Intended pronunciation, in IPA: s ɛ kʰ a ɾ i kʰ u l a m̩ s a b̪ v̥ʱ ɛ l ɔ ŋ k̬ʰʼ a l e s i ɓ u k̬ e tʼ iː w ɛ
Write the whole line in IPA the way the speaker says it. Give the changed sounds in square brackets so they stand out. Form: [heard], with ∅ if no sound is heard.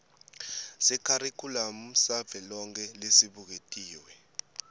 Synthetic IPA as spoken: s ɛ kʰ a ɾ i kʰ u l a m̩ s a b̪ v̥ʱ ɛ l ɔ ŋ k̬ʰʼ [ɛ] l e s i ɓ u k̬ e tʼ iː w ɛ